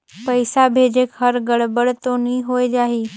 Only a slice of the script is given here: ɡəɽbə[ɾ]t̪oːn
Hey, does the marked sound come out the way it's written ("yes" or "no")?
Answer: no